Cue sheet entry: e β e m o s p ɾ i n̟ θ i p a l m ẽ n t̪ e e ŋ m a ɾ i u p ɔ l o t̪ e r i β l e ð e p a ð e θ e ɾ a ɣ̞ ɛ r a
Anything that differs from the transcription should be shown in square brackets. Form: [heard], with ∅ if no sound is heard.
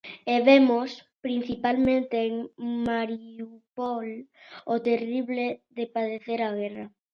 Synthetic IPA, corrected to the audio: e β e m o s p ɾ i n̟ θ i p a l m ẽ n t̪ e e ŋ m a ɾ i u p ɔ l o t̪ e r i β l e ð e p a ð e θ e ɾ a ɣ̞ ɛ r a